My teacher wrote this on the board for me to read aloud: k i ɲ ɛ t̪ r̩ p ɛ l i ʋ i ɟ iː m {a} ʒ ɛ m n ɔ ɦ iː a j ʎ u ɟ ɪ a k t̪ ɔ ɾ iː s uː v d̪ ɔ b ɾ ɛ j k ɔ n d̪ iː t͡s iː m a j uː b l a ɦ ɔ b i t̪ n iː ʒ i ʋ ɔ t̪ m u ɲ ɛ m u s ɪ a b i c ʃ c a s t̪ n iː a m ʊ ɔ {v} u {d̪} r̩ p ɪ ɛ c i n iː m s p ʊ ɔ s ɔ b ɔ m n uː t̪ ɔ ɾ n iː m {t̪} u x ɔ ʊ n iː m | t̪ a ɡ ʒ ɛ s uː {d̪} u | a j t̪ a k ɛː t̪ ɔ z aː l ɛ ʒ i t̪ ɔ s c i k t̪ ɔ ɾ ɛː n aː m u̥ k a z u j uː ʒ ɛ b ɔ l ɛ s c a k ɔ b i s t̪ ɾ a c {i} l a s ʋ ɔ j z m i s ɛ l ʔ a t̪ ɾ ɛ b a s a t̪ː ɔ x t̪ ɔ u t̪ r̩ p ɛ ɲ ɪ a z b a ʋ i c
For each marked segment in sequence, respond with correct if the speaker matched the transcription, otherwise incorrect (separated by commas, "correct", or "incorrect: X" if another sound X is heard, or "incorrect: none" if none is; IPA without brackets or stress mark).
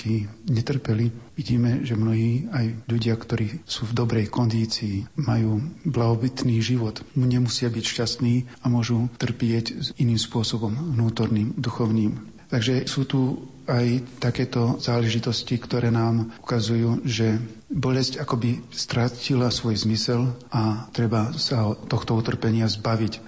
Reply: incorrect: ɛ, incorrect: ʒ, incorrect: t̪, incorrect: d̪, incorrect: t̪, correct